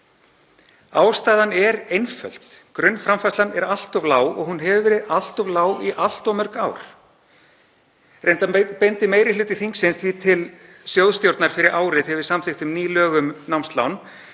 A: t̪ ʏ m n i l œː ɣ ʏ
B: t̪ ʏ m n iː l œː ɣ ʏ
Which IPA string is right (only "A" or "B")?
B